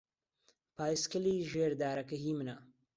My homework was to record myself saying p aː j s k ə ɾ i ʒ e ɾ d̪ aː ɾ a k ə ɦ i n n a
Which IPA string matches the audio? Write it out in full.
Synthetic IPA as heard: p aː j s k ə l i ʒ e ɾ d̪ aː ɾ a k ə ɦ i m n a